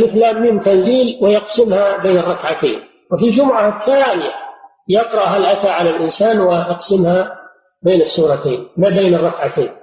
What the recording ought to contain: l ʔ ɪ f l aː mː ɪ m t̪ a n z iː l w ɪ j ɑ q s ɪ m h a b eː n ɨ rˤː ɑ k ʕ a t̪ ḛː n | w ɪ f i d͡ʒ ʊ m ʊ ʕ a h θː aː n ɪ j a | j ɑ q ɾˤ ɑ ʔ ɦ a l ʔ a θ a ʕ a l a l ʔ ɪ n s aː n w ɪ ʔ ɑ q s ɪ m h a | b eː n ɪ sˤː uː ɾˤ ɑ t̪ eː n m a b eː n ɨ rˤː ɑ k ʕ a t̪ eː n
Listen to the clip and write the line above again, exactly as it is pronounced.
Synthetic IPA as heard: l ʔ ɪ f l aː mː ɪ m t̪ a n z iː l w ɪ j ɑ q s ɪ m h a b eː n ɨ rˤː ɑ k ʕ a t̪ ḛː n | w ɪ f i d͡ʒ ʊ m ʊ ʕ a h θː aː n ɪ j a | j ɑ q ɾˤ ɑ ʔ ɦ a l ʔ a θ a ʕ a l a l ʔ ɪ n s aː n w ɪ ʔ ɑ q s ɪ m h a | b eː n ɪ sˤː uː ɾˤ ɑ t̪ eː n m a b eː n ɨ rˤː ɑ k ʕ a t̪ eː n